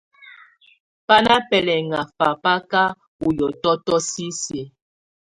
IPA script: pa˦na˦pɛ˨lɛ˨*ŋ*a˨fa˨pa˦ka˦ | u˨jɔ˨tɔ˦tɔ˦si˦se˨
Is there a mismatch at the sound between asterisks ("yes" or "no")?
no